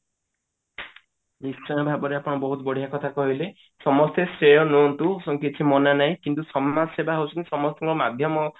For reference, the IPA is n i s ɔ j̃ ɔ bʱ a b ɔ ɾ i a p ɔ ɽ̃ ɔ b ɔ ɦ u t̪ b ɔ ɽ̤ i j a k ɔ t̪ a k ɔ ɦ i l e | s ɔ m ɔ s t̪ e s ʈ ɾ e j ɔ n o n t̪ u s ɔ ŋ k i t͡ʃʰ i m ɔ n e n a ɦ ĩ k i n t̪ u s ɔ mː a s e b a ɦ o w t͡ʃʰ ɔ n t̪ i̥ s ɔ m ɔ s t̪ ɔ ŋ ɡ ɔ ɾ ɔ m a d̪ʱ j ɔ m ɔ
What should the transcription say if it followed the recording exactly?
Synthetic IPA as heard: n i s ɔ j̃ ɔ bʱ a b ɔ ɾ e a p ɔ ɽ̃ ɔ b ɔ ɦ u t̪ b ɔ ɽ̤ i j a k ɔ t̪ʰ a k ɔ ɦ i l e | s ɔ m ɔ s t̪ e s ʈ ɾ e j ɔ n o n t̪ u s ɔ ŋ k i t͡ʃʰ i m ɔ n a n a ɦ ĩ k i n t̪ u s ɔ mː a s e b a ɦ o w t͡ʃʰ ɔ n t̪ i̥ s ɔ m ɔ s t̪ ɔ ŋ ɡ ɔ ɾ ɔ m a d̪ʱ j ɔ m ɔ

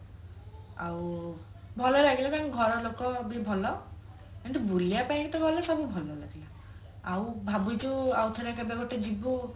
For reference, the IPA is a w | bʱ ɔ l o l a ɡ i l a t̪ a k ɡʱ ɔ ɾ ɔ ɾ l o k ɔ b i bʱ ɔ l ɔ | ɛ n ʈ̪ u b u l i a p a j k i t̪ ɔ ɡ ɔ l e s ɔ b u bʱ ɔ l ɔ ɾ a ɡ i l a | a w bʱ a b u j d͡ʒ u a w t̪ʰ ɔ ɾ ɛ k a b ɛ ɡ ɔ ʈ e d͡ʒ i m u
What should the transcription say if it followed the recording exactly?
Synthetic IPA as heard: a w | bʱ ɔ l ɔ l a ɡ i l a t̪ a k ɡʱ ɔ ɾ ɔ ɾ l o k ɔ b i bʱ ɔ l ɔ | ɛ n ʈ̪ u b u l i a p a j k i t̪ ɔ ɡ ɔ l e s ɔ b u bʱ ɔ l ɔ l a ɡ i l a | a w bʱ a b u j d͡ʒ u a w t̪ʰ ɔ ɾ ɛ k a b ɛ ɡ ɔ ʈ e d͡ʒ i b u

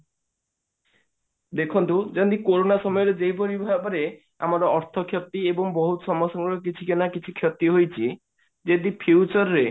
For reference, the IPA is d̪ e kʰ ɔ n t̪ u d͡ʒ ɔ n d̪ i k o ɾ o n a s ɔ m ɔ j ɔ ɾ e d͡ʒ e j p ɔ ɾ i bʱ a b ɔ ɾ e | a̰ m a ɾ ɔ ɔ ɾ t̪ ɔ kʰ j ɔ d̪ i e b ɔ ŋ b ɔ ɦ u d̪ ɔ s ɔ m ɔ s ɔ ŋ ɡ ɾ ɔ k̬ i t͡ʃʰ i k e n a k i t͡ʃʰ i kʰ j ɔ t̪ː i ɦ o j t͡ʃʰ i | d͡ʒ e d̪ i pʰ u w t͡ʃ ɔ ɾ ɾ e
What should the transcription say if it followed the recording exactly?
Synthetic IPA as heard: d̪ e kʰ ɔ n t̪ u d͡ʒ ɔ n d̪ i k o ɾ o n a s ɔ m ɔ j ɔ ɾ e d͡ʒ e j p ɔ ɾ i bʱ a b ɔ ɾ e | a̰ m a ɾ ɔ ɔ ɾ t̪ʰ ɔ kʰ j ɔ t̪ i e b ɔ ŋ b ɔ ɦ u t̪ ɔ s ɔ m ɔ s ɔ ŋ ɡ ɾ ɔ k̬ i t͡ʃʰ i k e n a k i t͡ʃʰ i kʰ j ɔ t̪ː i ɦ o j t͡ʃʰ i | d͡ʒ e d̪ i pʰ u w t͡ʃ ɔ ɾ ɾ e

